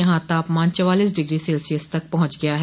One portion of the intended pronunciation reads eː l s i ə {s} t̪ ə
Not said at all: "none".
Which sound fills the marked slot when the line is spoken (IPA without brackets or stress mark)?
s